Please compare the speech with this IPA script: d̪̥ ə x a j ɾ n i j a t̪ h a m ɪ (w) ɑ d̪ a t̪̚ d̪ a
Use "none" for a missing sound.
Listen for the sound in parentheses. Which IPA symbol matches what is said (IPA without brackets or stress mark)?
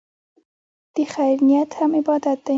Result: b